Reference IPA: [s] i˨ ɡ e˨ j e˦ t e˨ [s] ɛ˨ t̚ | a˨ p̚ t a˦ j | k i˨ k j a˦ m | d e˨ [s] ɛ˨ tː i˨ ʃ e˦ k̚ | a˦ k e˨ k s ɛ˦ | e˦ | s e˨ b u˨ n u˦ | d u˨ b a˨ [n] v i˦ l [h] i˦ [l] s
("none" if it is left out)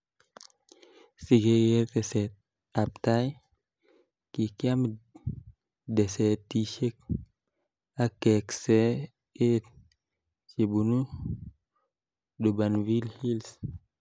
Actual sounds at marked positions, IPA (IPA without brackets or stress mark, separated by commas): s, s, s, n, h, l